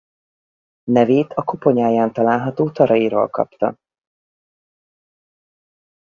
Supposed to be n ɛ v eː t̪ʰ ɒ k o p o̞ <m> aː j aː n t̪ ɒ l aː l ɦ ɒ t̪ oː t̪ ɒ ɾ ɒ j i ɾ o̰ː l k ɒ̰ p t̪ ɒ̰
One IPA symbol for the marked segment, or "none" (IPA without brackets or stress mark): ɲ